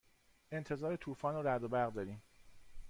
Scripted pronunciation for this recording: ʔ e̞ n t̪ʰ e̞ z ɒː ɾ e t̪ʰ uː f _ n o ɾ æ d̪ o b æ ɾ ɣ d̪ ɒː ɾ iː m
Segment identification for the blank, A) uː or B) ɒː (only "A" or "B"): B